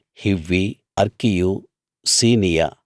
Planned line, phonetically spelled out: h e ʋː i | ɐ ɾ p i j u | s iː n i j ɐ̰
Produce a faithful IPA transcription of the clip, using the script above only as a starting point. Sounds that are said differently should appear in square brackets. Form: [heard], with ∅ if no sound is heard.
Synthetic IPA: h [i] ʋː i | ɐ ɾ [k] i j u | s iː n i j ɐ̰